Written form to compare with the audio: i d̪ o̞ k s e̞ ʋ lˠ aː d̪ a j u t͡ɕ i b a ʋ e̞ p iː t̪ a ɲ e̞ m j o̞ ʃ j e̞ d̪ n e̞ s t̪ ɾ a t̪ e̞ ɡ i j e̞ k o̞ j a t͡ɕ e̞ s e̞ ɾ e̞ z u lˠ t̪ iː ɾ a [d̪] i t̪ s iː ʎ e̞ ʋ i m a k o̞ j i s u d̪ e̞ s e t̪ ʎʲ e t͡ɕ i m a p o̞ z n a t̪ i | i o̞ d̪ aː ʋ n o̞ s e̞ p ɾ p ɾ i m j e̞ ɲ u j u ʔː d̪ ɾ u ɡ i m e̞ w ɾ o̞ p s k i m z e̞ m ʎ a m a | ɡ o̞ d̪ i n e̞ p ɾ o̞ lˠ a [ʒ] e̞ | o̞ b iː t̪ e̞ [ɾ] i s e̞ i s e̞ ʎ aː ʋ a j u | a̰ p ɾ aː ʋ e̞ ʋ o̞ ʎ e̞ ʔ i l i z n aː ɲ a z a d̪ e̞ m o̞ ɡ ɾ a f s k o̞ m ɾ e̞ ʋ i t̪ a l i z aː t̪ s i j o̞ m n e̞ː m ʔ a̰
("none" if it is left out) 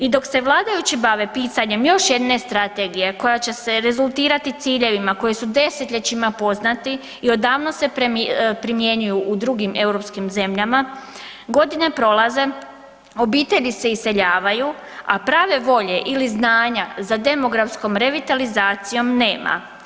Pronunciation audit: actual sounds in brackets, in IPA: t̪, z, ʎ

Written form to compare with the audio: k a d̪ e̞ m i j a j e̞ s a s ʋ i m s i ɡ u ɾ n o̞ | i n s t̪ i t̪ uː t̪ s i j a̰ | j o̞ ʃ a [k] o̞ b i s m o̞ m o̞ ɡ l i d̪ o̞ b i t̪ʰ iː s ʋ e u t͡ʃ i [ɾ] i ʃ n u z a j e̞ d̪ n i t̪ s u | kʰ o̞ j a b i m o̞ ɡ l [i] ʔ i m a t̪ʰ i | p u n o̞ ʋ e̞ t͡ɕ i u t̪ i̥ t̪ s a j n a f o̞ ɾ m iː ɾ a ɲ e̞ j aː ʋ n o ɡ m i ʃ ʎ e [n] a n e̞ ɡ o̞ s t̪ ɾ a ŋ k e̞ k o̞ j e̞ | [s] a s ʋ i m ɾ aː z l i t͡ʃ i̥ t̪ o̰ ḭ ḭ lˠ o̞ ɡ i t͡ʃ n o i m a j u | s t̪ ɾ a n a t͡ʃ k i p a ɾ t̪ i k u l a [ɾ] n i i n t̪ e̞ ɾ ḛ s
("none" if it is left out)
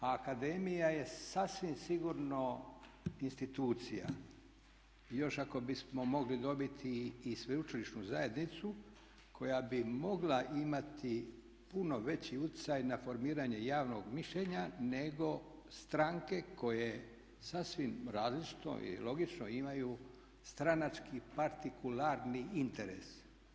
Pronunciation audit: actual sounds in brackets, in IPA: k, l, a, ɲ, s, ɾ

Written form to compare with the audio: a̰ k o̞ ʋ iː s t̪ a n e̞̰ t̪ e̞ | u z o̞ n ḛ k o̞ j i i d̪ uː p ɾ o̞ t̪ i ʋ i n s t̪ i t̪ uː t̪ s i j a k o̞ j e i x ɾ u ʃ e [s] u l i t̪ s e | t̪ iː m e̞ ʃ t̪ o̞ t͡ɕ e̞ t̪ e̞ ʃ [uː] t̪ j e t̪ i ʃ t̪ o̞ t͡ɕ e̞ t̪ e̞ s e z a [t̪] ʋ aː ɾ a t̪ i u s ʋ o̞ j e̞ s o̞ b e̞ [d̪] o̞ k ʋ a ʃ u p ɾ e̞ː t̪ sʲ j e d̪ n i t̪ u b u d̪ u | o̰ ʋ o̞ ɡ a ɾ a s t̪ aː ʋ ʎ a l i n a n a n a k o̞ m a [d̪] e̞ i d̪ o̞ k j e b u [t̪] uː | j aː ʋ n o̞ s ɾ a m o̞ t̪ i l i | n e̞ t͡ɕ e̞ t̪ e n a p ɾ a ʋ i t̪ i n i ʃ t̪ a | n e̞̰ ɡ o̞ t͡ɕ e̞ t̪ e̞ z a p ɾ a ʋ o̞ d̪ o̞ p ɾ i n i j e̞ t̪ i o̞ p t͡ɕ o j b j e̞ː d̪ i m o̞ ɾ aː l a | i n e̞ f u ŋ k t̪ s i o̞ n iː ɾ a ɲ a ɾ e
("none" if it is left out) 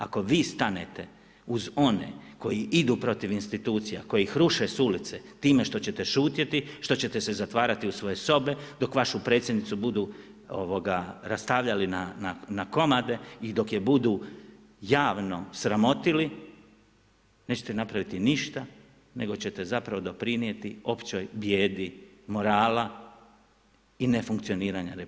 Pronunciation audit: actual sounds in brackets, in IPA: s, uː, t̪, d̪, d̪, d̪

